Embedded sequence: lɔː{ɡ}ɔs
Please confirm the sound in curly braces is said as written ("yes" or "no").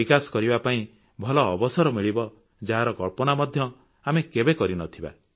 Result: no